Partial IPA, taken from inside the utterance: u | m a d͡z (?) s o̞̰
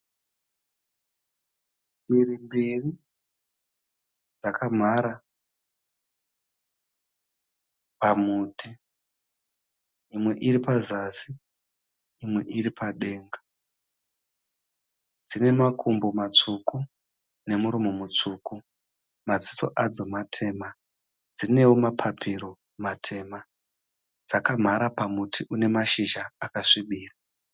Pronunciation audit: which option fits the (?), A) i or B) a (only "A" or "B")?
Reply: A